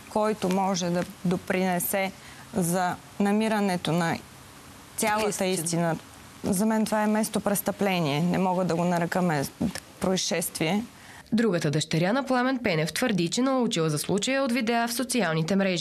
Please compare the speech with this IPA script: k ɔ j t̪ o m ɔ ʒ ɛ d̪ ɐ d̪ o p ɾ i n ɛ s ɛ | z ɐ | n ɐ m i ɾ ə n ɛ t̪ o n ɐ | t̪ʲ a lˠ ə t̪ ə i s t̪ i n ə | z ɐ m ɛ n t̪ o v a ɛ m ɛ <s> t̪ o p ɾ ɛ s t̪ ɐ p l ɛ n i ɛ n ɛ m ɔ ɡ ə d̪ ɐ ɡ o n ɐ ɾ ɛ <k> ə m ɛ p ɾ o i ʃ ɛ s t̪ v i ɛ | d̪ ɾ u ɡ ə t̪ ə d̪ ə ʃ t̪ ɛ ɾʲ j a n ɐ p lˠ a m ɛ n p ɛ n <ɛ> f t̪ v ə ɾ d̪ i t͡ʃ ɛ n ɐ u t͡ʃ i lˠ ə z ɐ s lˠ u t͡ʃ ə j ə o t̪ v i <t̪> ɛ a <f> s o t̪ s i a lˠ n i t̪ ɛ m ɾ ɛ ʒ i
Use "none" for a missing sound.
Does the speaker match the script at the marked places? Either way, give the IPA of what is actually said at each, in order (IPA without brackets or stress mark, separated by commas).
s, k, ɛ, d̪, f